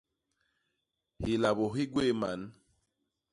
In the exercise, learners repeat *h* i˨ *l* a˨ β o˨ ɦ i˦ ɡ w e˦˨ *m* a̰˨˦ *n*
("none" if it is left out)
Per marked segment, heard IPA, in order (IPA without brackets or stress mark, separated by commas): h, l, m, n